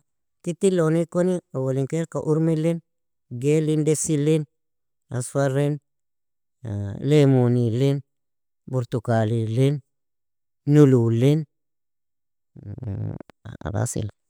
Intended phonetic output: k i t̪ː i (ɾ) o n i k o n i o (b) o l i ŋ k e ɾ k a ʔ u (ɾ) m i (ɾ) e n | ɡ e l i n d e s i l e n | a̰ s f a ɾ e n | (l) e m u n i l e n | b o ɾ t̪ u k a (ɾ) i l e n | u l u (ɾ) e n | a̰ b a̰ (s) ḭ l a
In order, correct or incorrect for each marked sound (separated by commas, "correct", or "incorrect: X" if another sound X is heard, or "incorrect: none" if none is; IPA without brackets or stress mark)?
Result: incorrect: l, incorrect: w, correct, incorrect: l, correct, incorrect: l, incorrect: l, correct